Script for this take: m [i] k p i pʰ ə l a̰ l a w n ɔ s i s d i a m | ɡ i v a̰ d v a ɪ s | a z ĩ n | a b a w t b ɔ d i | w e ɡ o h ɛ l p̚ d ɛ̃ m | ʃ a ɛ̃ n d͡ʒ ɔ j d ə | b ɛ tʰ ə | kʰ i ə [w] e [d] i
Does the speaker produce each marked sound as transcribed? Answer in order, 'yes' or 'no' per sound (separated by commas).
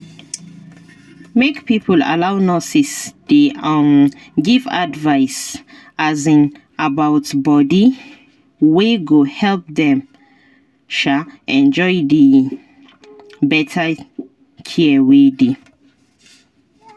no, yes, yes